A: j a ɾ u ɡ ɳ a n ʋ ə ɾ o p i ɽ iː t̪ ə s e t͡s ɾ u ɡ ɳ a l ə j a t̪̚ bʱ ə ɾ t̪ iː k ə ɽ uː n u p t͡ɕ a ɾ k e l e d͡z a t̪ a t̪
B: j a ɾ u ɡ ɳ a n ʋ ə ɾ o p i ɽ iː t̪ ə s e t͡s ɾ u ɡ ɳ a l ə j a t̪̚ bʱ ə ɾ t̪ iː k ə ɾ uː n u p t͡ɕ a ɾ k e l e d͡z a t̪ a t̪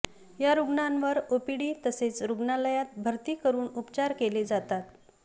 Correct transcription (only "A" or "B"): B